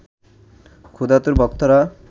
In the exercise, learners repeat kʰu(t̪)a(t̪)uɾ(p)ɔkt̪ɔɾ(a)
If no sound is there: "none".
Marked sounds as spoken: d̪, t̪, b, a

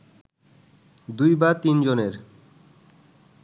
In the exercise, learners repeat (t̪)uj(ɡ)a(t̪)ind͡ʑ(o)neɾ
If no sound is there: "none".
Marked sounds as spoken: d̪, b, t̪, o

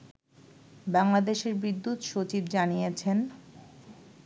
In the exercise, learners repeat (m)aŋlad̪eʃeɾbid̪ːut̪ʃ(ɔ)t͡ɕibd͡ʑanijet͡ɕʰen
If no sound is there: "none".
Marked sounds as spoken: b, o

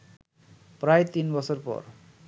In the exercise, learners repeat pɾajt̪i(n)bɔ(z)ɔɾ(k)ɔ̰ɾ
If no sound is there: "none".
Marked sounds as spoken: n, s, p

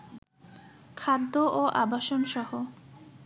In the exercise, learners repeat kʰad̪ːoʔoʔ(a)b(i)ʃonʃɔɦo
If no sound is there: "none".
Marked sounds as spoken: a, a

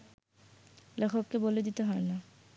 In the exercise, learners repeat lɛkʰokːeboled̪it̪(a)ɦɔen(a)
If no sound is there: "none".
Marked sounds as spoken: e, a

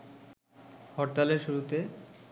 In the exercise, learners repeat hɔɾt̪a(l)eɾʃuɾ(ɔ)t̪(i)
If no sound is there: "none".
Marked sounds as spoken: l, u, e

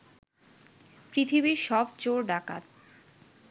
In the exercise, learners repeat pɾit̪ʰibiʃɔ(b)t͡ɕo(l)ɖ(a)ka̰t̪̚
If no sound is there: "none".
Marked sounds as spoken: b, ɾ, a

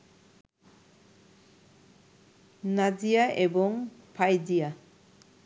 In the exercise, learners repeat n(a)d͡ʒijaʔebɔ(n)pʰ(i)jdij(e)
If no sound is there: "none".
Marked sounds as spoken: a, ŋ, a, a

